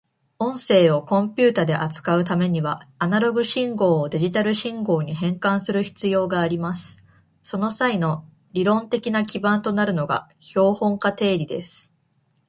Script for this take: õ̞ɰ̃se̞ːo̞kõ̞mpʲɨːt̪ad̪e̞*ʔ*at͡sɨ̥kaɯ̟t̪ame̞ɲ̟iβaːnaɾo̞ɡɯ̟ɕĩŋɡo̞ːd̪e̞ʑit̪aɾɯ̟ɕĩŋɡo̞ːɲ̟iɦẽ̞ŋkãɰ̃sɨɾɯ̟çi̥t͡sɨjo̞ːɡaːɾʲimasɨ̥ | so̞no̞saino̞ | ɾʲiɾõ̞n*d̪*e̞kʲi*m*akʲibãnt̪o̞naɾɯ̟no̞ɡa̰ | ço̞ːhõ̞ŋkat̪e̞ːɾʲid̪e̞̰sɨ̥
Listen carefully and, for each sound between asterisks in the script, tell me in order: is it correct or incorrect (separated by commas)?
correct, incorrect, incorrect